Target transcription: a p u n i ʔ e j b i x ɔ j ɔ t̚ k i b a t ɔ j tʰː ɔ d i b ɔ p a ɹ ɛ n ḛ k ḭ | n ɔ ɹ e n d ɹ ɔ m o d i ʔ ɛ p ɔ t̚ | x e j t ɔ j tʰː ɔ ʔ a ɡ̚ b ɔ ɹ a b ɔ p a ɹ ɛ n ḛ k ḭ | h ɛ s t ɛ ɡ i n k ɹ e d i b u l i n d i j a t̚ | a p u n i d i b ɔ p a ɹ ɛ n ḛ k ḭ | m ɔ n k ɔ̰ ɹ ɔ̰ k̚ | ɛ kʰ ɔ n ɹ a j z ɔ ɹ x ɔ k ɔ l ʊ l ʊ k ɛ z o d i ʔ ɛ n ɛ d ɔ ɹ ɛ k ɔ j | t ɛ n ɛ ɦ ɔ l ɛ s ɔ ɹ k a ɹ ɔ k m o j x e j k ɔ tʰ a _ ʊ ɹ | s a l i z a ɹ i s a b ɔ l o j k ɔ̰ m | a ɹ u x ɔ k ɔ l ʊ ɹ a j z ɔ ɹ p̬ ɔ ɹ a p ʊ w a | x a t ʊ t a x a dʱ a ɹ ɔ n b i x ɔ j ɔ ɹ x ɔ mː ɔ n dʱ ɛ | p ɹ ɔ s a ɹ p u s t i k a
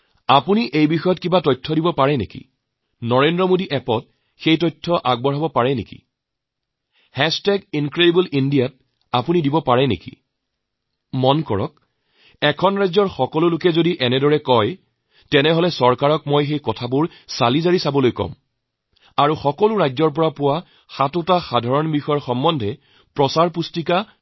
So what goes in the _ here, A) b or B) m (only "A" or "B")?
A